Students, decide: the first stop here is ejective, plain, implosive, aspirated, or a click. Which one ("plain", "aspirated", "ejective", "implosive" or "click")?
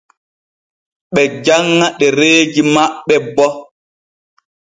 implosive